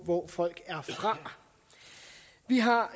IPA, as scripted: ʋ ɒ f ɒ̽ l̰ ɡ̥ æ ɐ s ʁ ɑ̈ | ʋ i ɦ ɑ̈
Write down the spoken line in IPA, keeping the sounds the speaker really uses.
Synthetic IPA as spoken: ʋ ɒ f ɒ̽ l̰ ɡ̥ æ ɐ f ʁ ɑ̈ | ʋ i ɦ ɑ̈